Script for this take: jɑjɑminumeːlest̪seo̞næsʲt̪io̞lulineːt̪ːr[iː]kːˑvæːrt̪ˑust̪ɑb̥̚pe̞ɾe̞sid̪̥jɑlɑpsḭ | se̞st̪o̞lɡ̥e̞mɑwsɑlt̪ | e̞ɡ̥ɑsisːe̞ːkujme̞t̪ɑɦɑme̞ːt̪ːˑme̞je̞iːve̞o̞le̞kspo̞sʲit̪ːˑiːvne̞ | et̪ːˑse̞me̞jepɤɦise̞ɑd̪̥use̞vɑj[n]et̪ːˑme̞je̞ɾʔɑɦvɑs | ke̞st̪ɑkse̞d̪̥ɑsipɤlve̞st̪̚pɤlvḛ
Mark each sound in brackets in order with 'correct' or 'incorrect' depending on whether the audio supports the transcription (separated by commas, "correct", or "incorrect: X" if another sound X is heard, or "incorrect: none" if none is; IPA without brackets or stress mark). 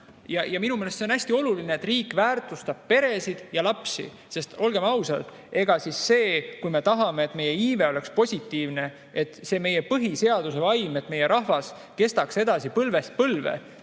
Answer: correct, incorrect: m